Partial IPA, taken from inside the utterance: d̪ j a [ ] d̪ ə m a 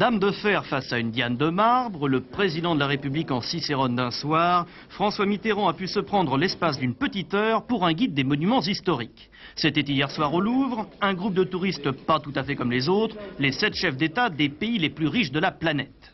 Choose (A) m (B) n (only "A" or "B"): B